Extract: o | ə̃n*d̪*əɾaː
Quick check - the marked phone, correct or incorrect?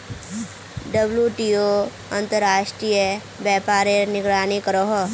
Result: incorrect